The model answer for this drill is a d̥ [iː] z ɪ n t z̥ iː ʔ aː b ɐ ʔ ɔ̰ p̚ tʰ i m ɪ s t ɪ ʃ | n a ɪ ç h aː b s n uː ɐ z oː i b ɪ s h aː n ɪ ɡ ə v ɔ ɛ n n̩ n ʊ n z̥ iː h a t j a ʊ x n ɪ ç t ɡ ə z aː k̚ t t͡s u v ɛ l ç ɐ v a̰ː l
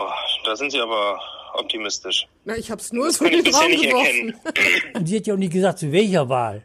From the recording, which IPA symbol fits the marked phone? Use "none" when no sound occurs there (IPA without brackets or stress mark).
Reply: aː